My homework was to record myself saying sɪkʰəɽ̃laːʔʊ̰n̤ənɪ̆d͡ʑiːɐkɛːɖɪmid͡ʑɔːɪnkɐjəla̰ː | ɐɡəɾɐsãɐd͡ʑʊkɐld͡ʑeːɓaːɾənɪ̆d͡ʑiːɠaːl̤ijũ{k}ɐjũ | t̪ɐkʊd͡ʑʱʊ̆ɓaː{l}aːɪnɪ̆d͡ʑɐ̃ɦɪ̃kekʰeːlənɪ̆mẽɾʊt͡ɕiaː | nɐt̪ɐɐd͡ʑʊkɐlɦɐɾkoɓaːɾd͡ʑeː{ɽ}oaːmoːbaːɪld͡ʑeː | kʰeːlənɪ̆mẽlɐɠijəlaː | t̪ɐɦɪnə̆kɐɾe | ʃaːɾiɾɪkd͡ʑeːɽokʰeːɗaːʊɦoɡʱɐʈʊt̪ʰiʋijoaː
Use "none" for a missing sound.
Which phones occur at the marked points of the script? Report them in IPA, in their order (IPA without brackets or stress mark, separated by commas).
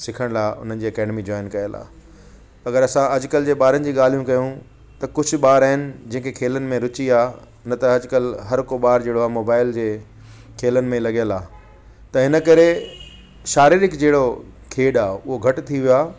k, ɾ, ɽ